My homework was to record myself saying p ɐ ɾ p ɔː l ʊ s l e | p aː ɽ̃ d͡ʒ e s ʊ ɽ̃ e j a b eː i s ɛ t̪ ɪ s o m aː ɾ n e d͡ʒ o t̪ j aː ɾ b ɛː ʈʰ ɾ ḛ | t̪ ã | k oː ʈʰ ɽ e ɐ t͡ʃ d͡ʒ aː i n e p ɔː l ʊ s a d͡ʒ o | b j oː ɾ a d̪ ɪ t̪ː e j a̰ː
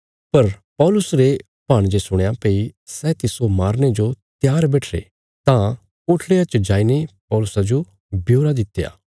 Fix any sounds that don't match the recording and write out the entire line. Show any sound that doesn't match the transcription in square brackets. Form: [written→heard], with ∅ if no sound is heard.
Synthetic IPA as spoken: p ɐ ɾ p ɔː l ʊ s [l→ɾ] e | p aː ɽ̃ d͡ʒ e s ʊ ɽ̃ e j a [b→p] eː i s ɛ t̪ ɪ s o m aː ɾ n e d͡ʒ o t̪ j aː ɾ b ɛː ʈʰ ɾ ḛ | t̪ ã | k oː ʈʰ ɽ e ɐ t͡ʃ d͡ʒ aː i n e p ɔː l ʊ s a d͡ʒ o | b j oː ɾ a d̪ ɪ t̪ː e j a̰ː